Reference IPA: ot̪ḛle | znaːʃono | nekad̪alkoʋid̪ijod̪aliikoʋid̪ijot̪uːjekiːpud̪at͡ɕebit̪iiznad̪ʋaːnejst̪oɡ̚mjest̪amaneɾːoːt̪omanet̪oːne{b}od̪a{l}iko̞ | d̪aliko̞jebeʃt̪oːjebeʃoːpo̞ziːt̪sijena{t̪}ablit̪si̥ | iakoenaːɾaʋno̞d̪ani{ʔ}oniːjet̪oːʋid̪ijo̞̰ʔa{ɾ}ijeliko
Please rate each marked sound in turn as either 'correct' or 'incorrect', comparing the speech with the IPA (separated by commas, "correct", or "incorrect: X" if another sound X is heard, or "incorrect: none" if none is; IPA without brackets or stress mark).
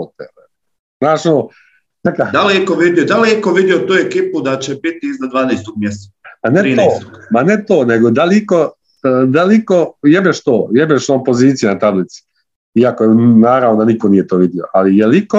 incorrect: ɡ, correct, correct, incorrect: k, incorrect: l